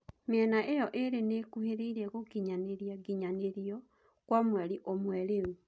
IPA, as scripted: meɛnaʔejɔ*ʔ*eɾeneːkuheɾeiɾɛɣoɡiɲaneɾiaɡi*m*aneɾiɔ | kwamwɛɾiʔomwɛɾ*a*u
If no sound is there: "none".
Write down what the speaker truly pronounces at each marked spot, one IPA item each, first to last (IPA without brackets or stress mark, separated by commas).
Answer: ʔ, ɲ, e